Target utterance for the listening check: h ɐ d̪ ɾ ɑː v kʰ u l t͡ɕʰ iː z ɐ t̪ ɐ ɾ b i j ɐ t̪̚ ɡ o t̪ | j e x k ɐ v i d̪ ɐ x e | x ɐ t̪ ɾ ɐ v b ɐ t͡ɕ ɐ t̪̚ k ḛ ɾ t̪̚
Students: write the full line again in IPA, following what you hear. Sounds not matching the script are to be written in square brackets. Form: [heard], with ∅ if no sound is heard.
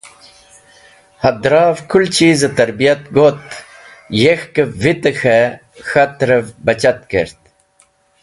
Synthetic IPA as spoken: h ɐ d̪ ɾ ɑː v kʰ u l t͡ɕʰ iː z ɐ t̪ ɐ ɾ b i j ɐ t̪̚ ɡ o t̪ | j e x k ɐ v i [t̪] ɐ x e | x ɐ t̪ ɾ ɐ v b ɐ t͡ɕ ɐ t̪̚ k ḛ ɾ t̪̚